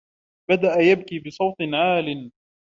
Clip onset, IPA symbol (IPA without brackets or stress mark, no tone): b